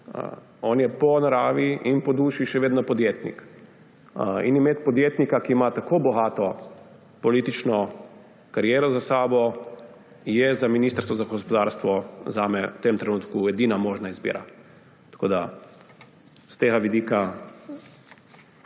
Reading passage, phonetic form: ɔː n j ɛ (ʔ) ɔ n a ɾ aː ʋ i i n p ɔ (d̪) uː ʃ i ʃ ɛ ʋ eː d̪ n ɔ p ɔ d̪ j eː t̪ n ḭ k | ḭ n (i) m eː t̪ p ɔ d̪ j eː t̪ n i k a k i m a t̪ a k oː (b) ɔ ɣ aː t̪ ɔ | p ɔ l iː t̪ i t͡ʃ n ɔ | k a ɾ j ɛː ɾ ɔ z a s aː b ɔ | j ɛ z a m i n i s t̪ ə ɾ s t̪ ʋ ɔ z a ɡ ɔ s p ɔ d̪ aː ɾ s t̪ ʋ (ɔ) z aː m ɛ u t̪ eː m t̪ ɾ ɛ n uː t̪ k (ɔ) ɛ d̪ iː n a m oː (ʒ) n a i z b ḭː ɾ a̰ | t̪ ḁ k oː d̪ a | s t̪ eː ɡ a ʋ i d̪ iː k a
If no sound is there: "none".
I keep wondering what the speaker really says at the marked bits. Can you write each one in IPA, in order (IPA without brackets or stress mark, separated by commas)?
p, d̪, i, b, ɔ, u, ʒ